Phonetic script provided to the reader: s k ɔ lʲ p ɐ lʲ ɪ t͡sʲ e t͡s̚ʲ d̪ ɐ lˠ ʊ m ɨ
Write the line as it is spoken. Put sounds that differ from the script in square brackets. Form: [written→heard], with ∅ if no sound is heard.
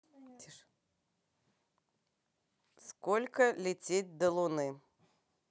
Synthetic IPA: s k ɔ lʲ [p→k] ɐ lʲ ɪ t͡sʲ e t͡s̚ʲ d̪ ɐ lˠ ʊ [m→n] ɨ